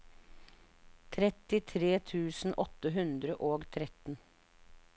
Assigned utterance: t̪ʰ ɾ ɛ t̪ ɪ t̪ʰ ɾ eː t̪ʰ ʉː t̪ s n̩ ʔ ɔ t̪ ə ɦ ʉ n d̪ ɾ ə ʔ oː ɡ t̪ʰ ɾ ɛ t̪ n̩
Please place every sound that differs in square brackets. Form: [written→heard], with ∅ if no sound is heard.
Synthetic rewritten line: t̪ʰ ɾ ɛ t̪ ɪ t̪ʰ ɾ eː t̪ʰ ʉː [t̪→∅] s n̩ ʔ ɔ t̪ ə ɦ ʉ n d̪ ɾ ə ʔ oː ɡ t̪ʰ ɾ ɛ t̪ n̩

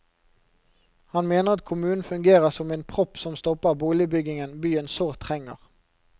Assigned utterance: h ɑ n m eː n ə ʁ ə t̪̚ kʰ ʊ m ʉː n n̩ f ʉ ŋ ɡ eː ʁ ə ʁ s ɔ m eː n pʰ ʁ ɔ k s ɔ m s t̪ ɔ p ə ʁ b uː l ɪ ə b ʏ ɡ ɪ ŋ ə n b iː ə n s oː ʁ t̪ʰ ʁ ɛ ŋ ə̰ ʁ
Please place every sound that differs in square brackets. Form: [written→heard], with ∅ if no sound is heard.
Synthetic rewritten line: h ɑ n m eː n ə ʁ [ə→ɑ] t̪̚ kʰ ʊ m ʉː n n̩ f ʉ ŋ ɡ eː ʁ ə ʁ s ɔ m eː n pʰ ʁ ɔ [k→p] s ɔ m s t̪ ɔ p ə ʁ b uː l ɪ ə b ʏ ɡ ɪ ŋ ə n b [iː→yː] ə n s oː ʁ t̪ʰ ʁ ɛ ŋ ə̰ ʁ

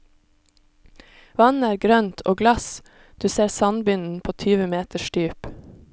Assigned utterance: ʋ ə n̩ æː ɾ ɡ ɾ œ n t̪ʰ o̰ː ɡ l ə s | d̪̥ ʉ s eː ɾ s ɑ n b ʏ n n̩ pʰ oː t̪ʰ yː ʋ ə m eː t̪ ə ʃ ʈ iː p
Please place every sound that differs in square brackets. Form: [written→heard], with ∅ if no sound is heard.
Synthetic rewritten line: ʋ [ə→ɑ] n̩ æː ɾ ɡ ɾ œ n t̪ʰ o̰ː ɡ l [ə→ɑ] s | d̪̥ [ʉ→ʉː] s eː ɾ s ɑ n b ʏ n n̩ pʰ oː t̪ʰ yː ʋ ə m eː t̪ ə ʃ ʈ [iː→yː] p

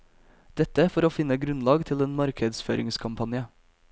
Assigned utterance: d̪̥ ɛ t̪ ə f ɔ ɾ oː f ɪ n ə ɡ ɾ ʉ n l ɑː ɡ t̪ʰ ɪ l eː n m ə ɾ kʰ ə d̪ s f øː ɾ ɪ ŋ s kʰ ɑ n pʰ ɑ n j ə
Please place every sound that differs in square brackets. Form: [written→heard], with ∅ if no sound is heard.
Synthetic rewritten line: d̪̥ ɛ t̪ ə f ɔ ɾ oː f ɪ n ə ɡ ɾ ʉ n l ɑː ɡ t̪ʰ ɪ l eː n m [ə→ɑ] ɾ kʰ ə d̪ s f øː ɾ ɪ ŋ s kʰ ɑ [n→m] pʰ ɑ n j ə

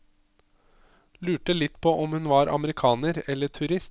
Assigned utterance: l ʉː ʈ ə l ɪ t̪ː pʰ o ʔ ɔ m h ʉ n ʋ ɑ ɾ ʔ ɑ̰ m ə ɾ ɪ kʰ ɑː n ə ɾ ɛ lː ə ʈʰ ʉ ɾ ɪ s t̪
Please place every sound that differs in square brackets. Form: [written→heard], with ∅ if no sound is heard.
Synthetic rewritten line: l ʉː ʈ ə l ɪ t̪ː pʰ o ʔ ɔ m h ʉ n ʋ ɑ ɾ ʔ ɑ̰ m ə ɾ ɪ kʰ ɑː n ə ɾ ɛ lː ə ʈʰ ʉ ɾ ɪ s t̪

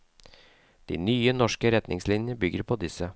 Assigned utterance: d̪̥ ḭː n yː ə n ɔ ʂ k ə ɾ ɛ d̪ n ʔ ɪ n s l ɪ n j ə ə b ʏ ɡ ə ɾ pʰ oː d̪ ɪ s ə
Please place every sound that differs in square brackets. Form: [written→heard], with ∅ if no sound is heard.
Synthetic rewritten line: d̪̥ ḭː n yː ə n ɔ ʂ k ə ɾ ɛ [d̪→t̪] n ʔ ɪ [n→ŋ] s l ɪ n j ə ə b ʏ ɡ ə ɾ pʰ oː d̪ ɪ s ə

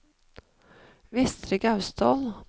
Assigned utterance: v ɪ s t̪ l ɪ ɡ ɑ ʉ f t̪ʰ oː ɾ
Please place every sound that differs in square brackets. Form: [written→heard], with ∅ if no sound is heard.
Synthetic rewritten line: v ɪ s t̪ [l→ɾ] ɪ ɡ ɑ ʉ [f→s] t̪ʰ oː [ɾ→l]

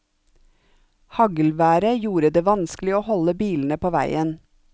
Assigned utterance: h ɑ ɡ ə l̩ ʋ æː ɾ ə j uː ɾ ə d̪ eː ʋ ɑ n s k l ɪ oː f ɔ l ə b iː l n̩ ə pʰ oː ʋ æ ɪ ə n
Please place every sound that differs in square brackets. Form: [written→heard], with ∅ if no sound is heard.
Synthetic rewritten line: h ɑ ɡ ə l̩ ʋ æː ɾ ə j uː ɾ ə d̪ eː ʋ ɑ n s k l ɪ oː [f→h] ɔ l ə b iː l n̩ ə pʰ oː ʋ æ ɪ ə n

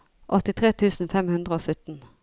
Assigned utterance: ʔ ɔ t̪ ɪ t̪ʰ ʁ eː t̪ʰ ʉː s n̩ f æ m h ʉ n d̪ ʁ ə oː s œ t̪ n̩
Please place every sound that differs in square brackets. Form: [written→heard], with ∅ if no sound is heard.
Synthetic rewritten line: ʔ ɔ t̪ ɪ t̪ʰ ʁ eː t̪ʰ ʉː s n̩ f [æ→ɛ] m h ʉ n d̪ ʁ ə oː s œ t̪ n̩

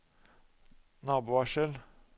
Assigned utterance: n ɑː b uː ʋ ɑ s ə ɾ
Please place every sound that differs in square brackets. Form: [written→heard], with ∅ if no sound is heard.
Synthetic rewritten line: n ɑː b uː ʋ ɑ [s→ʃ] ə [ɾ→l]

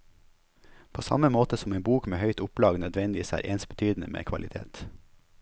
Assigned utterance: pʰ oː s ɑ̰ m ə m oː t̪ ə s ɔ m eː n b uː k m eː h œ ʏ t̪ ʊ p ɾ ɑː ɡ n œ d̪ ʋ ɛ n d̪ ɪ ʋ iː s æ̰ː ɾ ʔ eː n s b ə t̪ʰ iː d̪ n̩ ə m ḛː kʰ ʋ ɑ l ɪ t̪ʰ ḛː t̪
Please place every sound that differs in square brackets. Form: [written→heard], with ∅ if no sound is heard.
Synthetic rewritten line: pʰ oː s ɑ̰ m ə m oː t̪ ə s ɔ m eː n b uː k m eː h œ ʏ t̪ ʊ p [ɾ→l] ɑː ɡ n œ d̪ ʋ ɛ n d̪ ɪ ʋ iː s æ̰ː ɾ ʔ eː n s b ə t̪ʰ [iː→yː] d̪ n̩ ə m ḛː kʰ ʋ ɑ l ɪ t̪ʰ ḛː t̪

